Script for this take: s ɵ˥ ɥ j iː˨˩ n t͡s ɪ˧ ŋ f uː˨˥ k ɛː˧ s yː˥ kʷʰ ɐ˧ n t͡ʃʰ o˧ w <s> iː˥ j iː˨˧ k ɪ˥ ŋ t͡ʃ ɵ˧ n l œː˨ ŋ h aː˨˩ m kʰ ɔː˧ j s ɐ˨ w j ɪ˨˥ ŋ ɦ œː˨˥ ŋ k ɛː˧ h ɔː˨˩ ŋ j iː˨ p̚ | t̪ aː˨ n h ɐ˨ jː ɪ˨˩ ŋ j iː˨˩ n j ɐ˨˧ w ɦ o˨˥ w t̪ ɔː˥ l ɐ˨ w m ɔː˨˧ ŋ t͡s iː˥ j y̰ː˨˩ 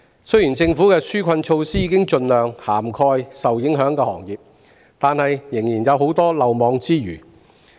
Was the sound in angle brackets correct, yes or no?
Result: yes